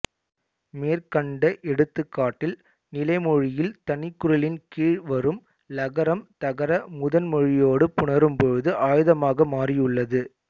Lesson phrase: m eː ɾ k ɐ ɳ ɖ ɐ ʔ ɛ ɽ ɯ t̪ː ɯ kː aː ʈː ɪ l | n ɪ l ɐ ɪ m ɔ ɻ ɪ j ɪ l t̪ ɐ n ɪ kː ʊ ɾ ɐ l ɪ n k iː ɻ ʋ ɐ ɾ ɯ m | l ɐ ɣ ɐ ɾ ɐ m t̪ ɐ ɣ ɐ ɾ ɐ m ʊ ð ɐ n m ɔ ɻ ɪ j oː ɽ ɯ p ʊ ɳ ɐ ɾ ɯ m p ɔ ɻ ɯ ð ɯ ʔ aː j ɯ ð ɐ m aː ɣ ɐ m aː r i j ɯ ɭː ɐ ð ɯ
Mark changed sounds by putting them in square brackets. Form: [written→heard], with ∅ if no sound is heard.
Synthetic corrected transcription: m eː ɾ k ɐ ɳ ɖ ɐ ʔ ɛ ɽ ɯ t̪ː ɯ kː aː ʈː ɪ l | n ɪ l ɐ ɪ m ɔ ɻ ɪ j ɪ l t̪ ɐ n ɪ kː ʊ ɾ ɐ l ɪ n k iː ɻ ʋ ɐ ɾ ɯ m | l ɐ ɣ ɐ ɾ ɐ m t̪ ɐ ɣ ɐ ɾ ɐ m ʊ ð ɐ n m ɔ ɻ ɪ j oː ɽ ɯ p ʊ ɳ ɐ ɾ ɯ m p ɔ ɻ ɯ ð ɯ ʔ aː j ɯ ð ɐ m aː ɣ ɐ m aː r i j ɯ ɭː ɐ ð ɯ